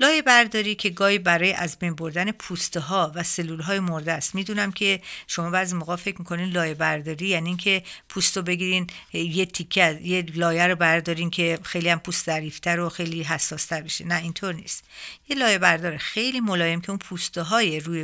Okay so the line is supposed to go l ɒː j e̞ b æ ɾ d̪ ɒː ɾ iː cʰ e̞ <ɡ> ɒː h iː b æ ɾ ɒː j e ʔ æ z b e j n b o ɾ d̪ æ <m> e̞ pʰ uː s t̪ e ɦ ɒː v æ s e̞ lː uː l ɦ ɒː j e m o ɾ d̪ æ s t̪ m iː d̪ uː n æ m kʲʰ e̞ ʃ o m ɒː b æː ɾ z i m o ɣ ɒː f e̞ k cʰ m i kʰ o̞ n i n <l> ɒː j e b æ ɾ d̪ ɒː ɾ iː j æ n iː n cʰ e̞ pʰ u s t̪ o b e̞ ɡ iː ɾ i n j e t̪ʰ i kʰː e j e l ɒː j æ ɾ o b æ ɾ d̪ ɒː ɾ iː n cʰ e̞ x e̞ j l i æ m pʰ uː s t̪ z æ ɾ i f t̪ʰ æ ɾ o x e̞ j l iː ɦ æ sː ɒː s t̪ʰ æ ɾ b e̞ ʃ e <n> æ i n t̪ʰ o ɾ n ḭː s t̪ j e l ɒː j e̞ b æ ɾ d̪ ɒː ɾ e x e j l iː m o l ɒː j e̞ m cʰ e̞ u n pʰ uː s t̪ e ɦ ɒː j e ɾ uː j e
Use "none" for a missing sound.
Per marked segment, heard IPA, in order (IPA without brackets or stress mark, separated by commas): ɡ, n, l, n